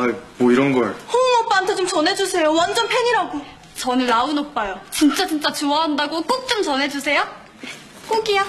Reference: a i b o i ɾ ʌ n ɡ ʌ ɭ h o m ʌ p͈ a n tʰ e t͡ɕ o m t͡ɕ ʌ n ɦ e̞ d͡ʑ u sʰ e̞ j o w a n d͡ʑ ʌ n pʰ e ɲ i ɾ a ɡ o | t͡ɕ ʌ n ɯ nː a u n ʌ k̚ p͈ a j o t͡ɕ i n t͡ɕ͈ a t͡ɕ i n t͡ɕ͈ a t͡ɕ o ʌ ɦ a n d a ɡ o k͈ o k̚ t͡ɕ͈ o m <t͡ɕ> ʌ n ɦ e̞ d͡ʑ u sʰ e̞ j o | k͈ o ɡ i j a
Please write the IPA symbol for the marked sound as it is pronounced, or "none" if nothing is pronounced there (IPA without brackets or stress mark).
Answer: t͡ɕ